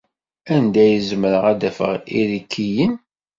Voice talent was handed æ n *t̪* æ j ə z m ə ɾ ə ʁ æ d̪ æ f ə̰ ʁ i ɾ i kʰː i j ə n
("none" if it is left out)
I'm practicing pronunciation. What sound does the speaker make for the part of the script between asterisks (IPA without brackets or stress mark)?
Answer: d̪